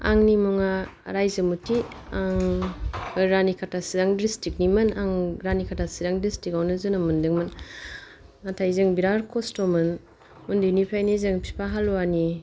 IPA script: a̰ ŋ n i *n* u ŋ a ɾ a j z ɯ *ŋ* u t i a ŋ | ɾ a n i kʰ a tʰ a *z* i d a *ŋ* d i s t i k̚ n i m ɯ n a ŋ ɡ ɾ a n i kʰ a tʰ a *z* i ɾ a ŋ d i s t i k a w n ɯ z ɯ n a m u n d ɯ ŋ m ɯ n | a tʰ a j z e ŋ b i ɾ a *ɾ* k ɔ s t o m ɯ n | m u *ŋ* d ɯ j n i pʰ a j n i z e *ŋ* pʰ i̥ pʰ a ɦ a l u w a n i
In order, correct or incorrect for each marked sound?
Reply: incorrect, incorrect, incorrect, correct, incorrect, correct, incorrect, correct

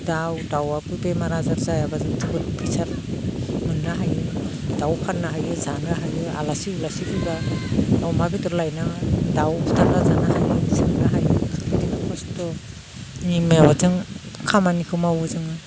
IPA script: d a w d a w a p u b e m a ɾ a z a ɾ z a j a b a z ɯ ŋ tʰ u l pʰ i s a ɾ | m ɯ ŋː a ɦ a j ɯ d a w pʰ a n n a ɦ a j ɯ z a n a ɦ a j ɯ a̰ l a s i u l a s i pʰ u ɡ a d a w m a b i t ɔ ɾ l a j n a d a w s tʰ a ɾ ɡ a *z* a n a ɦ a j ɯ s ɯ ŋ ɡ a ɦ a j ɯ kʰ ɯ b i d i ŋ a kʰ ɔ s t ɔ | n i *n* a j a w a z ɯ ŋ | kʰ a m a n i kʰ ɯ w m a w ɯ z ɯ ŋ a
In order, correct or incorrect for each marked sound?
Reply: correct, incorrect

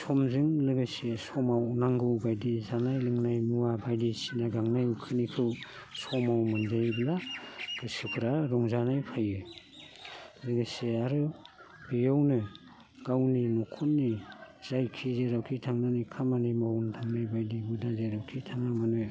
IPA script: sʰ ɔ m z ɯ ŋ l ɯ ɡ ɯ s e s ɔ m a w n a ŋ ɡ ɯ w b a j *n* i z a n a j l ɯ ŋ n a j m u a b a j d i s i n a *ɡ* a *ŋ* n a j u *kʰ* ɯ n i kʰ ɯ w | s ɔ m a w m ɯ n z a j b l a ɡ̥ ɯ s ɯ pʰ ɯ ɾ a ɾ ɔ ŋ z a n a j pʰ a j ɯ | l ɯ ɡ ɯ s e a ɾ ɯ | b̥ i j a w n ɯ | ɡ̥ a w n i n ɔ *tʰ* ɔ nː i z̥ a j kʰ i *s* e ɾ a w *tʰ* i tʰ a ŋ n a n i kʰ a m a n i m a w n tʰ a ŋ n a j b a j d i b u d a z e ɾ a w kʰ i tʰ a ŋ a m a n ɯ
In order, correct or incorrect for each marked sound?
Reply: incorrect, correct, correct, correct, incorrect, incorrect, incorrect

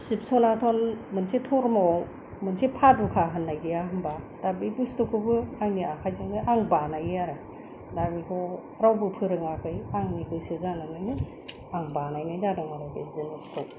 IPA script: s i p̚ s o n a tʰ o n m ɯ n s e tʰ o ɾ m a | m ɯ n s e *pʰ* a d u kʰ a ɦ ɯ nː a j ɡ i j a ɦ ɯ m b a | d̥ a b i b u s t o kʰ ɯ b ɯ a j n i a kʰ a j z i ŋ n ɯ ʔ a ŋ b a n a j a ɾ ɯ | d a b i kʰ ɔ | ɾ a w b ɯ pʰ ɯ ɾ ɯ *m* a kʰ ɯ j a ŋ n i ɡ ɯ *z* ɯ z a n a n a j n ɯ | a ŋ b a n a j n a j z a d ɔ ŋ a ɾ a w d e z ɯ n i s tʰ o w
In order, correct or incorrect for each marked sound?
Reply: correct, incorrect, incorrect

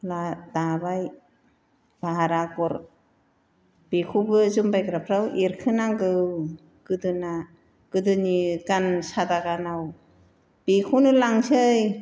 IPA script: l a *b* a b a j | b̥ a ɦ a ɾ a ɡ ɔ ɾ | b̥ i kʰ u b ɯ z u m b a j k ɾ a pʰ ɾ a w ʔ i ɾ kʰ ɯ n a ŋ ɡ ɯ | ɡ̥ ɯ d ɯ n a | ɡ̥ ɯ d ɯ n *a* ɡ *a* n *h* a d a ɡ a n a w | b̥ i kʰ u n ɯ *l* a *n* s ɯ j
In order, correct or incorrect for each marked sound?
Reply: incorrect, incorrect, correct, incorrect, correct, incorrect

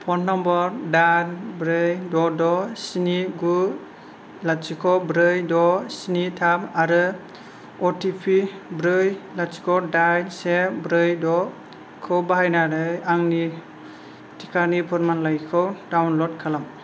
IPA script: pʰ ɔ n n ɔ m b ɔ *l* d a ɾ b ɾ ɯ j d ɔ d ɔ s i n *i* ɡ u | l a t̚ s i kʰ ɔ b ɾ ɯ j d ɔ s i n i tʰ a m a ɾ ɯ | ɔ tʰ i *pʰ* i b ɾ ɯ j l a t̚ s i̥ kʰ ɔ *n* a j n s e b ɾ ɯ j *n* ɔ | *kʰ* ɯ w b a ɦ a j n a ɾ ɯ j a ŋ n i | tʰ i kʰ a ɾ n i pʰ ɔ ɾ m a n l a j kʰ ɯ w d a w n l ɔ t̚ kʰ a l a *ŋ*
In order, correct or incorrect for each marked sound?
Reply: incorrect, correct, correct, incorrect, incorrect, correct, incorrect

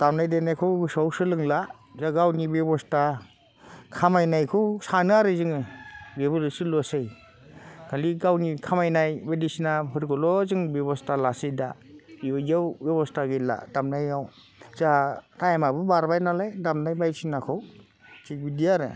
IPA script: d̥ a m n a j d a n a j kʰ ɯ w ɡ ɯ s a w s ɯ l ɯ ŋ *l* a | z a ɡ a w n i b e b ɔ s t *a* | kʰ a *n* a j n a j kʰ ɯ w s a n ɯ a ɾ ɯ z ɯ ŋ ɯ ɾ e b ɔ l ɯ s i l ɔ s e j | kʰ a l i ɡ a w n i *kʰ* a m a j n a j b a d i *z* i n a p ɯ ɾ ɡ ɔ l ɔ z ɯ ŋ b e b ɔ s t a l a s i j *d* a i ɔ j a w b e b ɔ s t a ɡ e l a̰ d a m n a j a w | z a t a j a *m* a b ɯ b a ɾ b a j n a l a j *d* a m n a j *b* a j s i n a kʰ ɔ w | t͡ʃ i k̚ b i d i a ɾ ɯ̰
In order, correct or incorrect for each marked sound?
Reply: correct, correct, incorrect, correct, incorrect, correct, correct, correct, correct

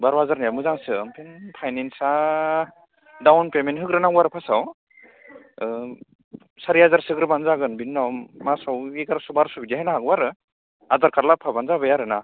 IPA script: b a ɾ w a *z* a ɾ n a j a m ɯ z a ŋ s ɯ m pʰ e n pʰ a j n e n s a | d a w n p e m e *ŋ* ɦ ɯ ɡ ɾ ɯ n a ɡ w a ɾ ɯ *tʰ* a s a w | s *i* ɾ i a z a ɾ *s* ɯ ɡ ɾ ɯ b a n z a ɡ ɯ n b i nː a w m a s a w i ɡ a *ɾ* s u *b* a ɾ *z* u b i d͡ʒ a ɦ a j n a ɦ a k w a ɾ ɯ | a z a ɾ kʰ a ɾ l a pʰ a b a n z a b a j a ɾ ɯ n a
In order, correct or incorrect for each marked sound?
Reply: correct, incorrect, incorrect, incorrect, correct, correct, correct, incorrect

